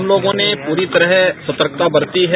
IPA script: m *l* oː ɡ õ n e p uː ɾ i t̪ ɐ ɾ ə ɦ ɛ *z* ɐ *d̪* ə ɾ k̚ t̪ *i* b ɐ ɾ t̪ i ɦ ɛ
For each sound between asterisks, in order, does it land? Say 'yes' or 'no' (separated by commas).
yes, no, no, no